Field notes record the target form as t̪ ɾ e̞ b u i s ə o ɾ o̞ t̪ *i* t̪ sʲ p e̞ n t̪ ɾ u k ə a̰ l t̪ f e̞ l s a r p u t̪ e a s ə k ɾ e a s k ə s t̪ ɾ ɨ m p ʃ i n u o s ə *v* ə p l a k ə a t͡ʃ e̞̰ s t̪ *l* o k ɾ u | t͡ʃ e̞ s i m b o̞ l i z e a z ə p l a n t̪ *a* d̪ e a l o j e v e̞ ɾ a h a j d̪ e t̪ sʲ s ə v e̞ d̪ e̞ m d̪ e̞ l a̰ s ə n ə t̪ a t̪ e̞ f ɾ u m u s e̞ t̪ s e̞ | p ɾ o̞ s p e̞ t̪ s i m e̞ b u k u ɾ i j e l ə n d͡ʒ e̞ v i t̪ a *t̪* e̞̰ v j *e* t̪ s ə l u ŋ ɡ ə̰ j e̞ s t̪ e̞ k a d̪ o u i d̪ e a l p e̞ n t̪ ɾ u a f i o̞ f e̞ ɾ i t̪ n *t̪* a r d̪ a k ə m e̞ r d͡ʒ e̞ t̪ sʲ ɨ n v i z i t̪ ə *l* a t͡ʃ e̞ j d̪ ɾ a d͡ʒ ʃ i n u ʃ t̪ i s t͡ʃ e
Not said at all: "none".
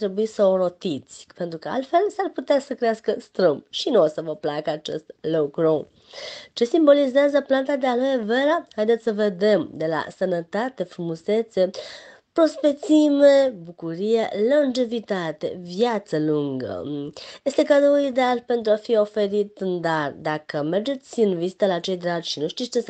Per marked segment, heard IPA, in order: i, v, l, a, t̪, a, d̪, l

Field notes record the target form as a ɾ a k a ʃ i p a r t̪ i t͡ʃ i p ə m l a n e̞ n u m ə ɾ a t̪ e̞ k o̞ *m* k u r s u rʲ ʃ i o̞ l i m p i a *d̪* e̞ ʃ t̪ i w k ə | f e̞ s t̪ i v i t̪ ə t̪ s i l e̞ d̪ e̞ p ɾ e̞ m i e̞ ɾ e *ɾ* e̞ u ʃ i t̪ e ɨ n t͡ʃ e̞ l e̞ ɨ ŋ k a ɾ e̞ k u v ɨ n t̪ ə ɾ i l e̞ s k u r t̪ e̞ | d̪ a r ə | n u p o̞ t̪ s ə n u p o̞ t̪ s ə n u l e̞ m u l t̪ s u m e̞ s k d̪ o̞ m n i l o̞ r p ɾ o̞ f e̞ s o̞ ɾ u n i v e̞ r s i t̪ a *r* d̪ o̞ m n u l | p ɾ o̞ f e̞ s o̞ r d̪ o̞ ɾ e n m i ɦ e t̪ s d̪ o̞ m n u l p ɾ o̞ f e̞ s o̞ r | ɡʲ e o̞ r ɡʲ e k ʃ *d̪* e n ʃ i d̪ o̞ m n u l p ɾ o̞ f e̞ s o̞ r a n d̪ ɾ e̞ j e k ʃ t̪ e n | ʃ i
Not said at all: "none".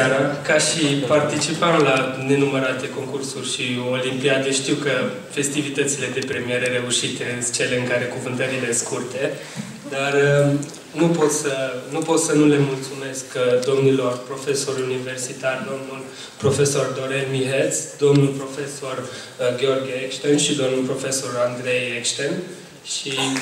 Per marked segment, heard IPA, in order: ŋ, d̪, ɾ, r, t̪

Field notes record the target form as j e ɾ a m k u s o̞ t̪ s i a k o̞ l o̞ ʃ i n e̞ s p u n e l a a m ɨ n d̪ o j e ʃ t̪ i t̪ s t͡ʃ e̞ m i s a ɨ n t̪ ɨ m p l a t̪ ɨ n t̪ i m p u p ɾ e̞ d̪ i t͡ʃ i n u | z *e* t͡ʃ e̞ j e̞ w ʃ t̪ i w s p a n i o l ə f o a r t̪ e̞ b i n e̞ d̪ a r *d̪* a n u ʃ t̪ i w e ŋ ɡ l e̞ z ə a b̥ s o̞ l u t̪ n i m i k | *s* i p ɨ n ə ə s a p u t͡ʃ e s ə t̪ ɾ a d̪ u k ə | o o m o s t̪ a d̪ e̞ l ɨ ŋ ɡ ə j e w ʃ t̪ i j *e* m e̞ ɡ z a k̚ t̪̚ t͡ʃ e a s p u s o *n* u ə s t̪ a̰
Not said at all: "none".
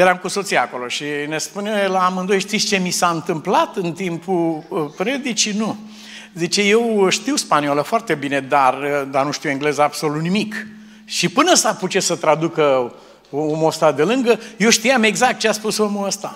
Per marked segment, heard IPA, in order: i, d̪, ʃ, a, m

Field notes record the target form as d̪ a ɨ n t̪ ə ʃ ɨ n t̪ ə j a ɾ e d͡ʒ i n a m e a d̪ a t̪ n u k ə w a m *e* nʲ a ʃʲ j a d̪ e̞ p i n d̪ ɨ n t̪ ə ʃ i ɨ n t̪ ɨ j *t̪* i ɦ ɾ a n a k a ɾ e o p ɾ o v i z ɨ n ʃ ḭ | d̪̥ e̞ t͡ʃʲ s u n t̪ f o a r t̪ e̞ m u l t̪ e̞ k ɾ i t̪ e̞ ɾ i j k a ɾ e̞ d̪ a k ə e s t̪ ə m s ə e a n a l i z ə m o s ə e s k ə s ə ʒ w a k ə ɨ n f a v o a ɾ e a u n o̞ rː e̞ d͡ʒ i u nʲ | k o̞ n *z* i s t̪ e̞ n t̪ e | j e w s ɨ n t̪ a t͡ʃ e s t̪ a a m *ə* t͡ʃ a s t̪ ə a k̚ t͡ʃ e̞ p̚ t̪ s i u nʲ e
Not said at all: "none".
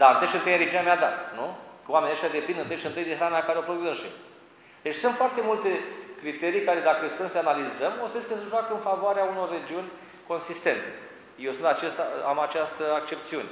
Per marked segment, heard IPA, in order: e, d̪, s, a

